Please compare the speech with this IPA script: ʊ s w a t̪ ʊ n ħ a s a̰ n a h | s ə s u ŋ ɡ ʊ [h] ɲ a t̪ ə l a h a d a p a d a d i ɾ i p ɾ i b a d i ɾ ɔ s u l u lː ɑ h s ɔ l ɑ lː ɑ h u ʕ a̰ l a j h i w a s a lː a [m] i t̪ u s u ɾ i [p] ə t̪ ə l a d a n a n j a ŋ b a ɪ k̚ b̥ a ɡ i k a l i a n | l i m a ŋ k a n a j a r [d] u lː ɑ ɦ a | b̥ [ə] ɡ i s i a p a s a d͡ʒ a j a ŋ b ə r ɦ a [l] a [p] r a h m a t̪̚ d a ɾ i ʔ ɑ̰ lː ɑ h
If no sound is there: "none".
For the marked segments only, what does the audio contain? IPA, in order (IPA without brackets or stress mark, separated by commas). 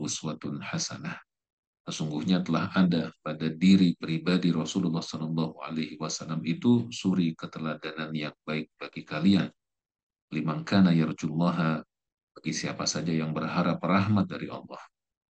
h, m, k, d͡ʒ, a, ɾ, p